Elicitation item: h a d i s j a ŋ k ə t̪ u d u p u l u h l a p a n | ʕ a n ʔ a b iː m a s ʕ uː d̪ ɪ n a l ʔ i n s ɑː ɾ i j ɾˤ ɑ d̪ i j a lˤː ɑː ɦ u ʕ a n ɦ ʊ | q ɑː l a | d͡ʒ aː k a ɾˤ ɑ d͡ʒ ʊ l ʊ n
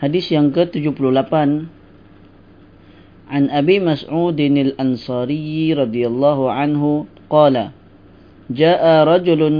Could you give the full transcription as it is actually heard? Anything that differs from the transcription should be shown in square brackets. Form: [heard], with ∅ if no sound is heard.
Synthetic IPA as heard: h a d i s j a ŋ k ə t̪ u [d͡ʒ] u p u l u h l a p a n | ʕ a n ʔ a b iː m a s ʕ uː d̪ ɪ n a l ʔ [a] n s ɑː ɾ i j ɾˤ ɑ d̪ i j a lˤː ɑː ɦ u ʕ a n ɦ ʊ | q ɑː l a | d͡ʒ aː [ʔ] a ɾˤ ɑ d͡ʒ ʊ l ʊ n